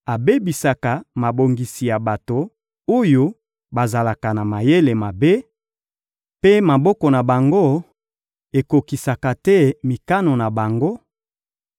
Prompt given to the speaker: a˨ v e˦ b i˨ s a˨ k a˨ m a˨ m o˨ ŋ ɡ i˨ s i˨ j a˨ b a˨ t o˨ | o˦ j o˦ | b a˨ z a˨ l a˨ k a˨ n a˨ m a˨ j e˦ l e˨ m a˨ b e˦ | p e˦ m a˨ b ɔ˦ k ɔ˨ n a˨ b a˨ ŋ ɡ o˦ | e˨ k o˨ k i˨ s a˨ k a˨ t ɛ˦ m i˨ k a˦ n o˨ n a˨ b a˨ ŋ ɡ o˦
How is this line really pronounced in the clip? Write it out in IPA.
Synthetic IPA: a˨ b e˦ b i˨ s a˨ k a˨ m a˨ b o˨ ŋ ɡ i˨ s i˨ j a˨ b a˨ t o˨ | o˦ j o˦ | b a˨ z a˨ l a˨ k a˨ n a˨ m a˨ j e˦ l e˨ m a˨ b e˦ | p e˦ m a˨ b ɔ˦ k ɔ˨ n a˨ b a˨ ŋ ɡ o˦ | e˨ k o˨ k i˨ s a˨ k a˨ t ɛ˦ m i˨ k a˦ n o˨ n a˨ b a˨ ŋ ɡ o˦